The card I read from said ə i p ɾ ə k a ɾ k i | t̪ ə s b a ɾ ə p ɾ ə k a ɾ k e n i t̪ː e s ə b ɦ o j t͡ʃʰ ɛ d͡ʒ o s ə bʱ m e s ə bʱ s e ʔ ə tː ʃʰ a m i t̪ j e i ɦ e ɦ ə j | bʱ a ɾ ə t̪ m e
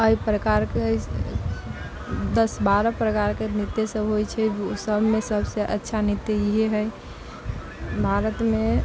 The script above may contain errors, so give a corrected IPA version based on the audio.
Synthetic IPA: ə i p ɾ ə k a ɾ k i | d̪ ə s b a ɾ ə p ɾ ə k a ɾ k e n i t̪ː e s ə b ɦ o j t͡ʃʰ ɛ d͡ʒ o s ə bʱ m e s ə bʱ s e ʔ ə tː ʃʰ a n i t̪ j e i ɦ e ɦ ə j | bʱ a ɾ ə t̪ m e